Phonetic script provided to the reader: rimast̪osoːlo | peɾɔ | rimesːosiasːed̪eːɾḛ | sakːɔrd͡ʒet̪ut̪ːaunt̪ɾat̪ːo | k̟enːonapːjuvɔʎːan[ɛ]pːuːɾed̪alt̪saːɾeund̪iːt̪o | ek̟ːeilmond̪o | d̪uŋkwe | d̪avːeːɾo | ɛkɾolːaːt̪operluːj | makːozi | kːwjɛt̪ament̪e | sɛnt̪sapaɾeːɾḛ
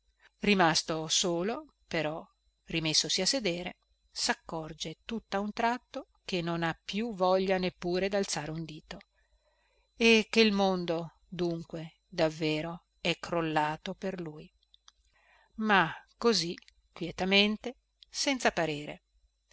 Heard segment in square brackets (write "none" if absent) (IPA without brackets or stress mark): e